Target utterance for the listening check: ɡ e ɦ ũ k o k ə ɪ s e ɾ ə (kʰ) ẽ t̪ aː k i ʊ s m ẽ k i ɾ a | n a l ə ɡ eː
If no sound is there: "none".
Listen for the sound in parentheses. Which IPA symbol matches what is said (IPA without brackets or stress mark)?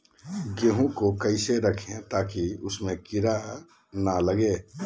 kʰ